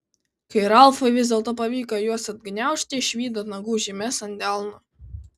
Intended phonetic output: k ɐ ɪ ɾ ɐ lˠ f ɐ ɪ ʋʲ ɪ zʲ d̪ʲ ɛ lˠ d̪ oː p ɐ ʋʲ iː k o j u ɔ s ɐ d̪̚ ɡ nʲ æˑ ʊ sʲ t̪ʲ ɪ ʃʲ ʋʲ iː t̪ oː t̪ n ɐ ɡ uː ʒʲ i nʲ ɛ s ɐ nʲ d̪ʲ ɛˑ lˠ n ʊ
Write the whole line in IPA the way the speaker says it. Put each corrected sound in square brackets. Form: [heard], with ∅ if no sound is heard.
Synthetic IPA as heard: k ɐ ɪ ɾ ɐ lˠ f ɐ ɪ ʋʲ ɪ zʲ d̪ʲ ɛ lˠ [t̪] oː p ɐ ʋʲ iː k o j u ɔ s ɐ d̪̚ ɡ nʲ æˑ ʊ [ʃʲ] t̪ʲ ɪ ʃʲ ʋʲ iː [d̪] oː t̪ n ɐ ɡ uː ʒʲ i [mʲ] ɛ s ɐ nʲ d̪ʲ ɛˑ lˠ n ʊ

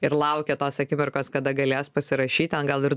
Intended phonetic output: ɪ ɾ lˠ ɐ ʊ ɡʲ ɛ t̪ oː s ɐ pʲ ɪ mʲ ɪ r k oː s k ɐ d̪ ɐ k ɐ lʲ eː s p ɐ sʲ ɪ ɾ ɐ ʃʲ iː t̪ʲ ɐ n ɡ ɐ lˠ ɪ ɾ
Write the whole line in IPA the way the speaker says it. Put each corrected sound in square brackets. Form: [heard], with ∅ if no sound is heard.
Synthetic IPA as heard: ɪ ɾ lˠ ɐ ʊ [kʲ] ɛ t̪ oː s ɐ [kʲ] ɪ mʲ ɪ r k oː s k ɐ d̪ ɐ [ɡ] ɐ lʲ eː s p ɐ sʲ ɪ ɾ ɐ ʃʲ iː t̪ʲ ɐ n ɡ ɐ lˠ ɪ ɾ

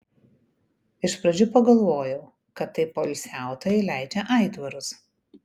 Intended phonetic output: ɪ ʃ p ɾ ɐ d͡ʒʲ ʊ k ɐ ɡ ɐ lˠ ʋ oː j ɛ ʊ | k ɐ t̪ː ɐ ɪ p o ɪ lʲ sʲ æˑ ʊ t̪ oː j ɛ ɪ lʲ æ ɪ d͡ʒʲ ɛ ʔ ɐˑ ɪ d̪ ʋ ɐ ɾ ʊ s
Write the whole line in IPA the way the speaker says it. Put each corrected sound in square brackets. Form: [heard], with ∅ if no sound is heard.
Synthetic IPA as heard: ɪ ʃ p ɾ ɐ d͡ʒʲ ʊ [p] ɐ ɡ ɐ lˠ ʋ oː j ɛ ʊ | k ɐ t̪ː ɐ ɪ p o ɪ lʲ sʲ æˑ ʊ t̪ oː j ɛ ɪ lʲ æ ɪ d͡ʒʲ ɛ ʔ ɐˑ ɪ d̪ ʋ ɐ ɾ ʊ s

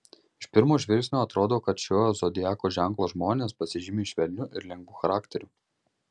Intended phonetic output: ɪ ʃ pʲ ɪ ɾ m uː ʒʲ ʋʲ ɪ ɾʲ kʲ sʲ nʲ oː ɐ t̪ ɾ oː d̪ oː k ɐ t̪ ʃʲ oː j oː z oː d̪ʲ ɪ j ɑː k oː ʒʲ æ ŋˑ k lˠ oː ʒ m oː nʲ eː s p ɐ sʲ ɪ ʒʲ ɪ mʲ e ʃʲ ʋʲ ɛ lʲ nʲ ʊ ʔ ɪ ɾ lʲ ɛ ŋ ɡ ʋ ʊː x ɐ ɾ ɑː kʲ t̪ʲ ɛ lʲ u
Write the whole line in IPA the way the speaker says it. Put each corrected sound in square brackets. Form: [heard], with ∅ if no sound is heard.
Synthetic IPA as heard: ɪ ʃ pʲ ɪ ɾ m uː ʒʲ ʋʲ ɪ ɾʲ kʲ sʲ nʲ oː ɐ t̪ ɾ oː d̪ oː k ɐ t̪ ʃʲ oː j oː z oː d̪ʲ ɪ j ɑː k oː ʒʲ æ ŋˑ k lˠ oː ʒ m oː nʲ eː s p ɐ sʲ ɪ ʒʲ ɪ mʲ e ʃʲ ʋʲ ɛ lʲ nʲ ʊ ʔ ɪ ɾ lʲ ɛ ŋ ɡ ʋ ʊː x ɐ ɾ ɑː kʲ t̪ʲ ɛ [ɾʲ] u

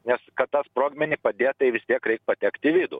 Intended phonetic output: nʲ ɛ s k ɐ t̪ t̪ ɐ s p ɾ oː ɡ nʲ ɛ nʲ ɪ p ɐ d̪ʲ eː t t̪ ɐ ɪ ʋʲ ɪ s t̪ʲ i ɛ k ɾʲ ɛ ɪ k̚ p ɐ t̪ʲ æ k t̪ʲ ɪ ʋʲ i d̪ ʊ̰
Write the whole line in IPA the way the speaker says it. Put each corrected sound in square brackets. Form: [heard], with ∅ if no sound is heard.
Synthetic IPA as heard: nʲ ɛ s k ɐ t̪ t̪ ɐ s p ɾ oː ɡ [mʲ] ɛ nʲ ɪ p ɐ d̪ʲ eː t t̪ ɐ ɪ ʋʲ ɪ s t̪ʲ i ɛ k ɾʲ ɛ ɪ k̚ p ɐ t̪ʲ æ k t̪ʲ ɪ ʋʲ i d̪ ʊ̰

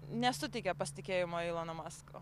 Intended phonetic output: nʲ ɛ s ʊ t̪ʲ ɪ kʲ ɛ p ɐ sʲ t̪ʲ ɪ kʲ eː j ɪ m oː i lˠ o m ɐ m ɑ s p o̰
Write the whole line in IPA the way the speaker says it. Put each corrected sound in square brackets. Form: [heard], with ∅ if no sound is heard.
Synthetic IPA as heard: nʲ ɛ s ʊ t̪ʲ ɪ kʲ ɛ p ɐ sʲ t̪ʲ ɪ kʲ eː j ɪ m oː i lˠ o [n] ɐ m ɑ s [k] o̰

